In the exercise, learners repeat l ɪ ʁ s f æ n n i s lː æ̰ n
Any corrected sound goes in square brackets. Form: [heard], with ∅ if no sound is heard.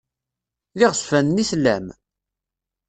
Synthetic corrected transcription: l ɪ ʁ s f æ n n i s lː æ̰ [m]